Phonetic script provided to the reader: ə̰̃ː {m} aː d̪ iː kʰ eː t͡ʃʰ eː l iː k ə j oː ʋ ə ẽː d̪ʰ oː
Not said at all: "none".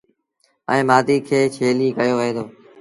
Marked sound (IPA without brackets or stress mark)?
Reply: m